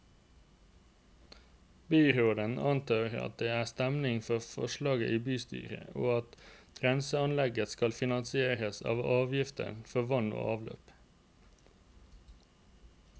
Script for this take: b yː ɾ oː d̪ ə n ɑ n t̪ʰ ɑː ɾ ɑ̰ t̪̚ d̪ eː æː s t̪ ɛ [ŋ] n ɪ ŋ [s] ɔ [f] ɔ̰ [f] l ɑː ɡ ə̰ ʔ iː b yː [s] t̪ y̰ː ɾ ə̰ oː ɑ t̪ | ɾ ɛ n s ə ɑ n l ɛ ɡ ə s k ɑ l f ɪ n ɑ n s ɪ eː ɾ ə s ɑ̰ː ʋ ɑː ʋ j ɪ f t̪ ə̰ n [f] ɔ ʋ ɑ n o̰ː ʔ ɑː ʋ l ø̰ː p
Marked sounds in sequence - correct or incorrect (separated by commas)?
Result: incorrect, incorrect, correct, incorrect, correct, correct